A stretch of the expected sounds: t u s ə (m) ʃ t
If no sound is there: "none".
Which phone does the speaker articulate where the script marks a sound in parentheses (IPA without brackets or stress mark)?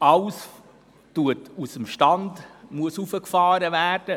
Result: m